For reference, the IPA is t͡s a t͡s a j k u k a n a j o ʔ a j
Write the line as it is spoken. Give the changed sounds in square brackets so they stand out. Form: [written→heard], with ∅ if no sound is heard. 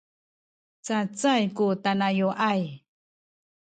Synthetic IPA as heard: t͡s a t͡s a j k u [k→t] a n a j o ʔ a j